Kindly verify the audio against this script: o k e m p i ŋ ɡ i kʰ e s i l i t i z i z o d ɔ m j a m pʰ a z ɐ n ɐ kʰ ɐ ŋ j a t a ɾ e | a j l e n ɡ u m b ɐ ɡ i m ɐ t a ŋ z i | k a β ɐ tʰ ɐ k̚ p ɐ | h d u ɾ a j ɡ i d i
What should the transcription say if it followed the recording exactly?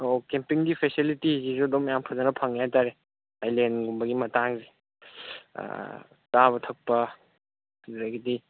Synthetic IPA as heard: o k e m p i ŋ ɡ i pʰ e s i l i t i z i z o d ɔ m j a m pʰ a z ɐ n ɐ pʰ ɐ ŋ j a t a ɾ e | a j l e n ɡ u m b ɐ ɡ i m ɐ t a ŋ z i | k a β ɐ tʰ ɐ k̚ p ɐ | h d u ɾ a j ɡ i d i